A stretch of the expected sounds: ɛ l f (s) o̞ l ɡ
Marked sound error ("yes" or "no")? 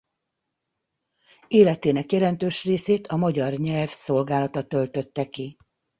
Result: no